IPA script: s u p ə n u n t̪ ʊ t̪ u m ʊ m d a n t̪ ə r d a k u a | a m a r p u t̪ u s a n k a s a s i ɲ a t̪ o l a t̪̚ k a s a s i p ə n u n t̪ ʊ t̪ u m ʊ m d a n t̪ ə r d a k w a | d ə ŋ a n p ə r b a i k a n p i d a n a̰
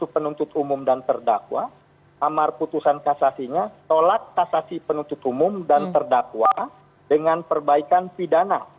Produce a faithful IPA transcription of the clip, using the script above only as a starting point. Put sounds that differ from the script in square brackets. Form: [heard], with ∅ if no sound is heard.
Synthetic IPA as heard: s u p ə n u n t̪ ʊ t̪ u m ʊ m d a n t̪ ə r d a k [w] a | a m a r p u t̪ u s a n k a s a s i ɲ a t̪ o l a t̪̚ k a s a s i p ə n u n t̪ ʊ t̪ u m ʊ m d a n t̪ ə r d a k w a | d ə ŋ a n p ə r b a i k a n p i d a n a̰